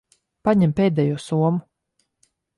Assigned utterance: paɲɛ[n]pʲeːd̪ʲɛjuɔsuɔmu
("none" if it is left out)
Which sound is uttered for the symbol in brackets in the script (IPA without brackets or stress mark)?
m